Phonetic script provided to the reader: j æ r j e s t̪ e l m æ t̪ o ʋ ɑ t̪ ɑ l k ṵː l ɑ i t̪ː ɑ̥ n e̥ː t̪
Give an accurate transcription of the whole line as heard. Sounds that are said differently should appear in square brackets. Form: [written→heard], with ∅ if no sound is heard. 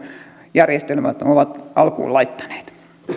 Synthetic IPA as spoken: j æ r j e s t̪ e l m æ t̪ o ʋ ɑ t̪ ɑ l k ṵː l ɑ i t̪ː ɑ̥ n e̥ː t̪